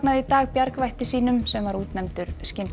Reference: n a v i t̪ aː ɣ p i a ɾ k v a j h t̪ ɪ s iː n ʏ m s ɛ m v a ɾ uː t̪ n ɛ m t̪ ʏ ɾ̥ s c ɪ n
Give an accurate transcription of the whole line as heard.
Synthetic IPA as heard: n a ð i t̪ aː ɣ p j a ɾ k v a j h t̪ ɪ s iː n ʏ m s ɛ m v a ɾ uː t̪ n ɛ m t̪ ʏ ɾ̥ s c ɪ n